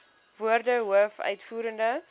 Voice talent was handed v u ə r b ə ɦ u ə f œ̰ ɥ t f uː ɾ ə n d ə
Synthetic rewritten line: v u ə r d ə ɦ u ə f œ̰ ɥ t f uː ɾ ə n d ə